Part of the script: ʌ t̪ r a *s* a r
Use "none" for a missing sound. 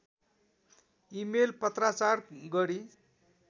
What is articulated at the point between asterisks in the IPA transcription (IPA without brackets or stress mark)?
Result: t͡s